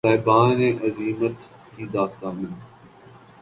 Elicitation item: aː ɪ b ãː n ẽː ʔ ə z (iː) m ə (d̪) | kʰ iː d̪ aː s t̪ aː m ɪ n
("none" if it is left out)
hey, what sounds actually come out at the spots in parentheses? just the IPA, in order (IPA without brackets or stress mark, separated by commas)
iː, t̪